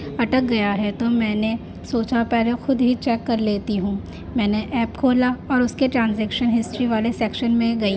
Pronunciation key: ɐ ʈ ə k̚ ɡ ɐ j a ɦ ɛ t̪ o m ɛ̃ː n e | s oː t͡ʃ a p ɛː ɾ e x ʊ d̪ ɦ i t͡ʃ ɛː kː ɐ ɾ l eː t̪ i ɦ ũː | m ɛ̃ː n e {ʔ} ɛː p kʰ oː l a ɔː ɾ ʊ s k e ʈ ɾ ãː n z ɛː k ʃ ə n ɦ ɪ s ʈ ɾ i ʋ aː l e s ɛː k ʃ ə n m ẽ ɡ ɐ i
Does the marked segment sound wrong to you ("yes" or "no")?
no